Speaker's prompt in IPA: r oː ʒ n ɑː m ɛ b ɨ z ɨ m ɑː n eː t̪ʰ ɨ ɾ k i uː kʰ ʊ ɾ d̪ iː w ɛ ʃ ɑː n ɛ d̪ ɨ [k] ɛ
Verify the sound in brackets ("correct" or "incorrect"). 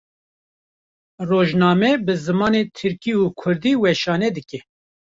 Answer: correct